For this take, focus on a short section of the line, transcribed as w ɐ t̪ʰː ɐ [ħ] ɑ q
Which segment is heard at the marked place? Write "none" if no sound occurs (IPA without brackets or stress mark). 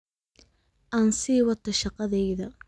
ʃ